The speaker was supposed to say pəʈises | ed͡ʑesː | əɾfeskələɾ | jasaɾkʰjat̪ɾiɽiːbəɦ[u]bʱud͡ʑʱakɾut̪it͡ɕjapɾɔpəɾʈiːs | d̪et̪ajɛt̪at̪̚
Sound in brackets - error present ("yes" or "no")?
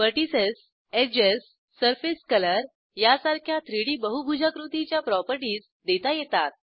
no